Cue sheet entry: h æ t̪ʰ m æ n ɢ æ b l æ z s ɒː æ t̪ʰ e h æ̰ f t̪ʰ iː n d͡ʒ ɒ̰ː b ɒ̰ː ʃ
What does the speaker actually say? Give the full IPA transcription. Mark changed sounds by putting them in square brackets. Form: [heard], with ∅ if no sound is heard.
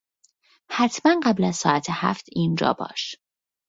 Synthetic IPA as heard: h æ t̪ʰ m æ n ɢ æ b l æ z s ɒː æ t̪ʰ e h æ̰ f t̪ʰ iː n d͡ʒ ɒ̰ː b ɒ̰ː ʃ